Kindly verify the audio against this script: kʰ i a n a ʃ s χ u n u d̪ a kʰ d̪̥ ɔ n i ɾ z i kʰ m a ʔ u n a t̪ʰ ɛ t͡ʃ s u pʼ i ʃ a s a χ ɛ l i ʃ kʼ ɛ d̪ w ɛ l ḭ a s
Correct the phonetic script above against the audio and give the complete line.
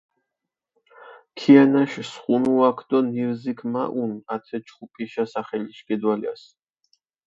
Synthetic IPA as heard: kʰ i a n a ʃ s χ u n u a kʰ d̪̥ ɔ n i ɾ z i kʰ m a ʔ u n a t̪ʰ ɛ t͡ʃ χ u pʼ i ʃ a s a χ ɛ l i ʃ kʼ ɛ d̪ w a l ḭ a s

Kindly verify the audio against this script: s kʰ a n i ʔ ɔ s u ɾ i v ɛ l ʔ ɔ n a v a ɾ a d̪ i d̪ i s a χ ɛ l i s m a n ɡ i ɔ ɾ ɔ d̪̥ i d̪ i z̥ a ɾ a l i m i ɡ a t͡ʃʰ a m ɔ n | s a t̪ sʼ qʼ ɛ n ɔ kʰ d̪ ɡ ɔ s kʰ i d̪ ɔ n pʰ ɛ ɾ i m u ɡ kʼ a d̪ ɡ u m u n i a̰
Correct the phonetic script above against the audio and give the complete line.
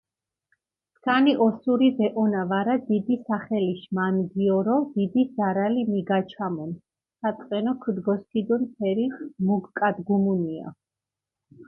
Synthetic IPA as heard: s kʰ a n i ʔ ɔ s u ɾ i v ɛ ʔ ɔ n a v a ɾ a d̪ i d̪ i s a χ ɛ l i ʃ m a n ɡ i ɔ ɾ ɔ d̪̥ i d̪ i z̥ a ɾ a l i m i ɡ a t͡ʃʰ a m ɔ n | s a t̪ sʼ qʼ ɛ n ɔ kʰ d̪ ɡ ɔ s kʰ i d̪ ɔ n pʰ ɛ ɾ i m u ɡ kʼ a d̪ ɡ u m u n i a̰

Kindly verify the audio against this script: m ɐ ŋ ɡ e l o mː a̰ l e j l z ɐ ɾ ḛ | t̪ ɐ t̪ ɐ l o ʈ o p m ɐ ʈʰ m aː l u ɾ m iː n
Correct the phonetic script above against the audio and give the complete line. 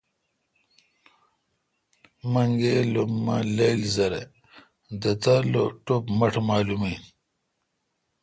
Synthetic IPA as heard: m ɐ ŋ ɡ e l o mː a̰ l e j l z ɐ ɾ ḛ | d̪ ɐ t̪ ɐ l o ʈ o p m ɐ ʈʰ m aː l u m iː n

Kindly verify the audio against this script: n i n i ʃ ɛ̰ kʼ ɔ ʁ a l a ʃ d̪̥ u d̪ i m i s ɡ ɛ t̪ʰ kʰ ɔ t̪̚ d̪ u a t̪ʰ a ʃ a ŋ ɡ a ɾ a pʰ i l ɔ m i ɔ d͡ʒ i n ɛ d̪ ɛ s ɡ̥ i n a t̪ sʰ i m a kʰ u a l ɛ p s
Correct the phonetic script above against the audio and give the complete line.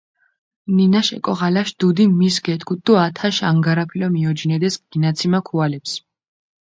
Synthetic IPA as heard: n i n a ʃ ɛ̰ kʼ ɔ ʁ a l a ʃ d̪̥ u d̪ i m i s ɡ ɛ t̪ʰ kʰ u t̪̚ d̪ u a t̪ʰ a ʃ a ŋ ɡ a ɾ a pʰ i l ɔ m i ɔ d͡ʒ i n ɛ d̪ ɛ s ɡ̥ i n a t̪ sʰ i m a kʰ u a l ɛ p s

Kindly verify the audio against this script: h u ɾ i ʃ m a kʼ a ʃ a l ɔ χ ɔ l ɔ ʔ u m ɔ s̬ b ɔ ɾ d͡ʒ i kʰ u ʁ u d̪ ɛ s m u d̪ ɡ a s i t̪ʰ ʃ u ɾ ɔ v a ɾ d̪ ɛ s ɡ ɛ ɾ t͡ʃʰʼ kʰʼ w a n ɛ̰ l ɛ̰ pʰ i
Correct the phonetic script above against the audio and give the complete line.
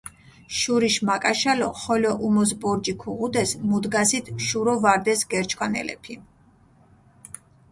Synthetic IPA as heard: ʃ u ɾ i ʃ m a kʼ a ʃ a l ɔ χ ɔ l ɔ ʔ u m ɔ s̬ b ɔ ɾ d͡ʒ i kʰ u ʁ u d̪ ɛ s m u d̪ ɡ a s i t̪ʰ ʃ u ɾ ɔ v a ɾ d̪ ɛ s ɡ ɛ ɾ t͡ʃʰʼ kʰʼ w a n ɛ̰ l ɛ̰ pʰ i

